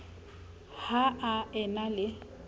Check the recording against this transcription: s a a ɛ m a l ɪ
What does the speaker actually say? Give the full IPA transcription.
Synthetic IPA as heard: h a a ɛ n a l ɪ

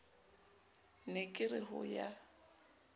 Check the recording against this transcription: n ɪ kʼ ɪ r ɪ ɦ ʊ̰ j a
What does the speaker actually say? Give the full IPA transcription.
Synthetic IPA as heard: n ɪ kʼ ɪ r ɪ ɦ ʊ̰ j a

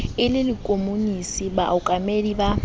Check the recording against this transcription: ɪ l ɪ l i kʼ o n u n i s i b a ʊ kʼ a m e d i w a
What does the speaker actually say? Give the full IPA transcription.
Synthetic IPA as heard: ɪ l ɪ l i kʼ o m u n i s i b a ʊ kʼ a m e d i b a

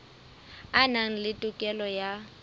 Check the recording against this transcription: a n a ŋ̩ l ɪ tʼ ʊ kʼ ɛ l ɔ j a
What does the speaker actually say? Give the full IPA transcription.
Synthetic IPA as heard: a n a ŋ̩ l ɪ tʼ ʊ kʼ ɛ l ɔ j a

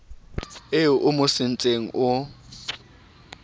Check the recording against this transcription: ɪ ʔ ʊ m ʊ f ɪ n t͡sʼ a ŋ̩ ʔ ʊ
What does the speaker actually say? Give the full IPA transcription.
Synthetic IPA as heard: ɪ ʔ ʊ m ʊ s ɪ n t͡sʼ e ŋ̩ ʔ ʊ

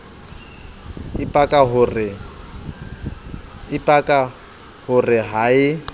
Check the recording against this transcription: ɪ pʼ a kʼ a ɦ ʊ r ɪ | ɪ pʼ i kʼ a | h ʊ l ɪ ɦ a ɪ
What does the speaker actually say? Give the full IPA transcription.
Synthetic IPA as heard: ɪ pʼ a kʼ a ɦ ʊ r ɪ | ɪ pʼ a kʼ a | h ʊ r ɪ ɦ a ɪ

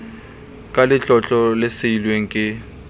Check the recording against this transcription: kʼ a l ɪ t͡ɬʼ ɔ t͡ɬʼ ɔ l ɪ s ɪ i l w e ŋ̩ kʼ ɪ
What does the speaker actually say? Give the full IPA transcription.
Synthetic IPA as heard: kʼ a l ɪ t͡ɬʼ ɔ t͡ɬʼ ɔ l ɪ s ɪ i l w e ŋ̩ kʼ ɪ

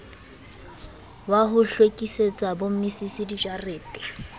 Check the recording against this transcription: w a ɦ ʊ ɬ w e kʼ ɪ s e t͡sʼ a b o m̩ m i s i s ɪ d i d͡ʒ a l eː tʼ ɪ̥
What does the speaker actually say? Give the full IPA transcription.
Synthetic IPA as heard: w a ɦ ʊ ɬ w e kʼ i s e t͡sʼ a b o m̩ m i s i s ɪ d i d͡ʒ a r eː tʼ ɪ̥

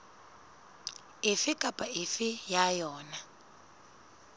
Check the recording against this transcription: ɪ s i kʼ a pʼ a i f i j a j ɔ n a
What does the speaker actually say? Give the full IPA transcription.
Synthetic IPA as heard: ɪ f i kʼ a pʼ a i f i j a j ɔː n a

